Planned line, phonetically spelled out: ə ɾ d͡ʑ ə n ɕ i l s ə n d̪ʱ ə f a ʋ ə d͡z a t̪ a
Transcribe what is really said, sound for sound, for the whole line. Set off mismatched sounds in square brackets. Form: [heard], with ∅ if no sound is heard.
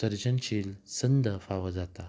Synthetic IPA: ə ɾ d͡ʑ ə n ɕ i l s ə n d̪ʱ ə f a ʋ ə d͡z a t̪ a